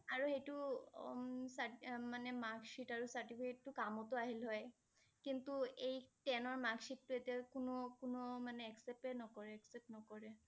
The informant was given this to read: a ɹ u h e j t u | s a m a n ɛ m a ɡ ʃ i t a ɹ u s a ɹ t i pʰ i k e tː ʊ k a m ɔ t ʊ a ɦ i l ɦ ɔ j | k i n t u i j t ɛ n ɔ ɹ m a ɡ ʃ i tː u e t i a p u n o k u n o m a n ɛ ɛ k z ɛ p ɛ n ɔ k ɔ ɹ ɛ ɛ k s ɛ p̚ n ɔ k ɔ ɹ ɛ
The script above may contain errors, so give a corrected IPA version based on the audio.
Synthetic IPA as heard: a ɹ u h e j t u | s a m a n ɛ m a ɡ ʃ i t a ɹ u s a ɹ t i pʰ i k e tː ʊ k a m ɔ t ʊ a ɦ i l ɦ ɔ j | k i n t u e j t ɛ n ɔ ɹ m a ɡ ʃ i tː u e t i a k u n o k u n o m a n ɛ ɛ k s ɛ p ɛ n ɔ k ɔ ɹ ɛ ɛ k s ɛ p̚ n ɔ k ɔ ɹ ɛ